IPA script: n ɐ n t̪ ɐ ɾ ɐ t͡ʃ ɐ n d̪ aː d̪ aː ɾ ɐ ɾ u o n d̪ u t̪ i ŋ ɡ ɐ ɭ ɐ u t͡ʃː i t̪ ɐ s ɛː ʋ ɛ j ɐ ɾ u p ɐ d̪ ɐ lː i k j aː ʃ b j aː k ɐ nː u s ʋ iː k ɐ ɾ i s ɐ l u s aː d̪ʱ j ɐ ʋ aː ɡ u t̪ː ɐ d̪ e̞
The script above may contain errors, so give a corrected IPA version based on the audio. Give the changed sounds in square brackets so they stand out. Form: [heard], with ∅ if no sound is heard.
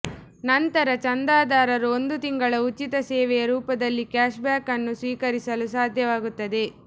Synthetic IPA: n ɐ n t̪ ɐ ɾ ɐ t͡ʃ ɐ n d̪ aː d̪ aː ɾ ɐ ɾ u o n d̪ u t̪ i ŋ ɡ ɐ ɭ ɐ u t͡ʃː i t̪ ɐ s ɛː ʋ ɛ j ɐ ɾ [uː] p ɐ d̪ ɐ lː i k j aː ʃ b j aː k ɐ nː u s ʋ iː k ɐ ɾ i s ɐ l u s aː d̪ʱ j ɐ ʋ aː ɡ u t̪ː ɐ d̪ e̞